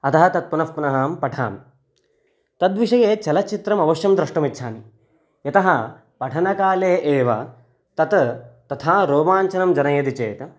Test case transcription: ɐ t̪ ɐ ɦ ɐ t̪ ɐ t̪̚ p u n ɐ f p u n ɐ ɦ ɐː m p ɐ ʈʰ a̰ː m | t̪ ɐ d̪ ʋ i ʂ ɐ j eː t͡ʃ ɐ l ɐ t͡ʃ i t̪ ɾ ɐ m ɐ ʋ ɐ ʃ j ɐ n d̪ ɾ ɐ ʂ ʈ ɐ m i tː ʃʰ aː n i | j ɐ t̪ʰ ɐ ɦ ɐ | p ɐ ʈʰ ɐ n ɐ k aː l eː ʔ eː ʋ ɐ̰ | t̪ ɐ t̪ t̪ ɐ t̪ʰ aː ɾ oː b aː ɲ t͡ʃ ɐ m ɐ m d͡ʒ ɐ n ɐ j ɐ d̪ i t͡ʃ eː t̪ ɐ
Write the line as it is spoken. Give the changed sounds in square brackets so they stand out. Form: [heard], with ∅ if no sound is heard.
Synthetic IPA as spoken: ɐ t̪ ɐ ɦ ɐ t̪ ɐ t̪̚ p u n ɐ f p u n ɐ ɦ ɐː m p ɐ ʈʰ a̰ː m | t̪ ɐ d̪ ʋ i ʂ ɐ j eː t͡ʃ ɐ l ɐ t͡ʃ i t̪ ɾ ɐ m ɐ ʋ ɐ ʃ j ɐ [m] d̪ ɾ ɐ ʂ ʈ ɐ m i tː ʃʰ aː n i | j ɐ [t̪] ɐ ɦ ɐ | p ɐ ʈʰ ɐ n ɐ k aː l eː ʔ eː ʋ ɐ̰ | t̪ ɐ t̪ t̪ ɐ t̪ʰ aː ɾ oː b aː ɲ t͡ʃ ɐ [n] ɐ m d͡ʒ ɐ n ɐ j ɐ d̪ i t͡ʃ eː t̪ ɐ